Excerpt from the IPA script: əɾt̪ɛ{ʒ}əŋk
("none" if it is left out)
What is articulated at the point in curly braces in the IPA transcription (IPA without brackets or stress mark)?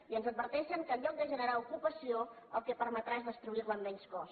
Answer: ʃ